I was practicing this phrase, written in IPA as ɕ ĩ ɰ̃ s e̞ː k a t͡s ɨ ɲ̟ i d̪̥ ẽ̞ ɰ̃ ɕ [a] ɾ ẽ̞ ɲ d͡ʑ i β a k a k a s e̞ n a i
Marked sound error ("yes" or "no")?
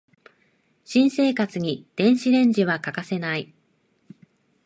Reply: yes